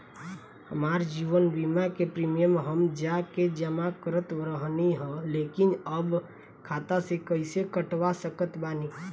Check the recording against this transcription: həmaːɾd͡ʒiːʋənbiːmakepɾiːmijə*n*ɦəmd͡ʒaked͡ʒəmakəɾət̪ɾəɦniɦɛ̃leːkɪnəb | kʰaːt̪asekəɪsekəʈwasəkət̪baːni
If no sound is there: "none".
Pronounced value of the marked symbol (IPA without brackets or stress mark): m